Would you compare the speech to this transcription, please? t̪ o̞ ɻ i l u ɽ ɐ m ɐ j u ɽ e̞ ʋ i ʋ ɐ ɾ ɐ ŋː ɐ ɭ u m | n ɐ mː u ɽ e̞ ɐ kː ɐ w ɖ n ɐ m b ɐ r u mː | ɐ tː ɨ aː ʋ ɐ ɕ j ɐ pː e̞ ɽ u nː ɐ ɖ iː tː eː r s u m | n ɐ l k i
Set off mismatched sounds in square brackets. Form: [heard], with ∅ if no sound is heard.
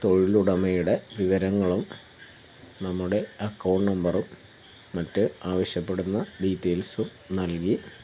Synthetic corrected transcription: t̪ o̞ ɻ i l u ɽ ɐ m ɐ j u ɽ e̞ ʋ i ʋ ɐ ɾ ɐ ŋː ɐ ɭ u m | n ɐ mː u ɽ e̞ ɐ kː ɐ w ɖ n ɐ m b ɐ r u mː | ɐ tː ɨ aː ʋ ɐ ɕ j ɐ pː e̞ ɽ u nː ɐ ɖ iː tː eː [l] s u m | n ɐ l k i